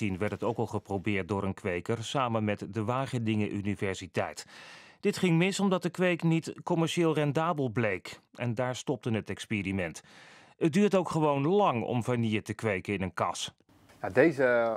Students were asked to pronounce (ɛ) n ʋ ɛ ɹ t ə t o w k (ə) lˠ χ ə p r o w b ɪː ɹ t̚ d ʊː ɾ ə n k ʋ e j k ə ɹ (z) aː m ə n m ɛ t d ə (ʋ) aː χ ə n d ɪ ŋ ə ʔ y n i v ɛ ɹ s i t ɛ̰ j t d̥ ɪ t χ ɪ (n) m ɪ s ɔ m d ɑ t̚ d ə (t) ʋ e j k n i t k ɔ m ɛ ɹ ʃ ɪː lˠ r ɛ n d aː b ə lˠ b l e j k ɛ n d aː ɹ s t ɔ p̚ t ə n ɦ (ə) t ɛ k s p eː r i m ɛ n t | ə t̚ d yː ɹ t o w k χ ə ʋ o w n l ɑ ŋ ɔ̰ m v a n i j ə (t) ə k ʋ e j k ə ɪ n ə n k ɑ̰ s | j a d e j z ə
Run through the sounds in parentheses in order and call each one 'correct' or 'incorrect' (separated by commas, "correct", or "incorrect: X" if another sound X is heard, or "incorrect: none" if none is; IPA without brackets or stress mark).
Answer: incorrect: i, incorrect: ɑ, incorrect: s, correct, incorrect: ŋ, incorrect: k, correct, correct